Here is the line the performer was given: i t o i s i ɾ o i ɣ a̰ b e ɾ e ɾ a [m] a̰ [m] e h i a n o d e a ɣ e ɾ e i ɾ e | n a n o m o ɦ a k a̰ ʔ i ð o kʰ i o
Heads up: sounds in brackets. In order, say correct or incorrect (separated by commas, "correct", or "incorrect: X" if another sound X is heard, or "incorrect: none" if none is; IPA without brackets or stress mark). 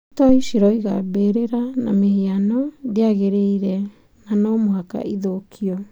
incorrect: n, correct